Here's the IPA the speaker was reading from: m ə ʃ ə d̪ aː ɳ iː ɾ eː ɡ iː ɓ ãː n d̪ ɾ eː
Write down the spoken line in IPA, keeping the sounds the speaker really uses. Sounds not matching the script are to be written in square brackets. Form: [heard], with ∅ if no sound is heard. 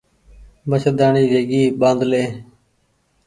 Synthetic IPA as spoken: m ə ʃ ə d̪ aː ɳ iː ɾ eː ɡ iː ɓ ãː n d̪ [l] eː